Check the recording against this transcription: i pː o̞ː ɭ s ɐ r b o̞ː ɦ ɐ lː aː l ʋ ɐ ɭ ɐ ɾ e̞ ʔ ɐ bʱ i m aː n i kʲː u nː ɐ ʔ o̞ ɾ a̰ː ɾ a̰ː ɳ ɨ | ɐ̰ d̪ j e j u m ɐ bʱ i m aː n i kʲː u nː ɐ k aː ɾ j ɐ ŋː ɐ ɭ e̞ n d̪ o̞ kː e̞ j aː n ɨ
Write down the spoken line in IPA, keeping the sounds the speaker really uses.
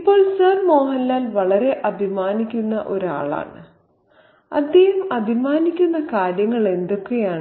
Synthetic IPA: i pː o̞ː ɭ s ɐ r m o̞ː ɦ ɐ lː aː l ʋ ɐ ɭ ɐ ɾ e̞ ʔ ɐ bʱ i m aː n i kʲː u nː ɐ ʔ o̞ ɾ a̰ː ɭ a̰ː ɳ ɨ | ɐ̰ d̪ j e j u m ɐ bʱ i m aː n i kʲː u nː ɐ k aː ɾ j ɐ ŋː ɐ ɭ e̞ n d̪ o̞ kː e̞ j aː ɳ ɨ